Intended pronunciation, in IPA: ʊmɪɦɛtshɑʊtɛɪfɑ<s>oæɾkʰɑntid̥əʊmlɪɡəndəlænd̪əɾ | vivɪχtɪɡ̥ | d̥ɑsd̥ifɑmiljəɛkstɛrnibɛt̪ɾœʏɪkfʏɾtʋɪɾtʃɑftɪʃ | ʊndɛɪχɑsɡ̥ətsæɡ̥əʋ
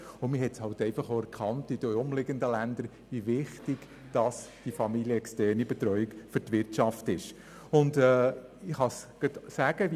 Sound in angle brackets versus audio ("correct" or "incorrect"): incorrect